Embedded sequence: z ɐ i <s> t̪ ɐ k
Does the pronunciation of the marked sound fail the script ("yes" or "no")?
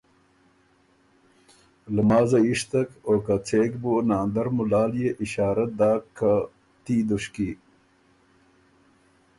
yes